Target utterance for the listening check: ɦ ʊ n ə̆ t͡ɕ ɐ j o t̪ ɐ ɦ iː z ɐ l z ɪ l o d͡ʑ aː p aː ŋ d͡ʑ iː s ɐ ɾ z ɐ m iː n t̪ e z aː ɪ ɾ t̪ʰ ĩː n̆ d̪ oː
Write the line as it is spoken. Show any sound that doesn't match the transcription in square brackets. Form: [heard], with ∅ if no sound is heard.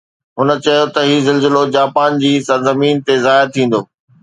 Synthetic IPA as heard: ɦ ʊ n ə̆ t͡ɕ ɐ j o t̪ ɐ ɦ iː z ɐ l z ɪ l o d͡ʑ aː p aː [n] d͡ʑ iː s ɐ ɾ z ɐ m iː n t̪ e z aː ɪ ɾ t̪ʰ ĩː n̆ d̪ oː